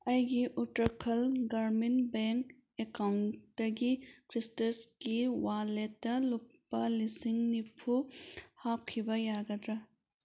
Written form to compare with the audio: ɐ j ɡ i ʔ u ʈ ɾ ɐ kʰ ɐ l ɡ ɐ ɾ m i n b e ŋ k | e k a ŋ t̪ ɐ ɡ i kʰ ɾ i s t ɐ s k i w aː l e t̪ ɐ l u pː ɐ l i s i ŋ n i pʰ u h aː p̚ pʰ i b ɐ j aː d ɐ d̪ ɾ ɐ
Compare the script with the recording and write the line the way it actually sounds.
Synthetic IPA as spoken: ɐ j ɡ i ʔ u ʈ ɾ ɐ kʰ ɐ l ɡ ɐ ɾ m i n b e ŋ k | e k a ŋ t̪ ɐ ɡ i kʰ ɾ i s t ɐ s k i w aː l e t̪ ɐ l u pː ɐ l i s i ŋ n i pʰ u h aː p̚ kʰ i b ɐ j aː ɡ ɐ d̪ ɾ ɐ